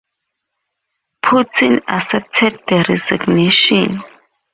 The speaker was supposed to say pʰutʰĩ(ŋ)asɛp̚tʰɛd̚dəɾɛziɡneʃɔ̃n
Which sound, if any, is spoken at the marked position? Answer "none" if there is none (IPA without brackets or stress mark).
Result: n